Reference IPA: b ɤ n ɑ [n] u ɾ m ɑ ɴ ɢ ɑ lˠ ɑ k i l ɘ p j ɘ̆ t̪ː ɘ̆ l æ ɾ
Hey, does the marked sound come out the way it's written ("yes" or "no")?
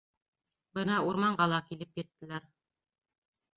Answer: no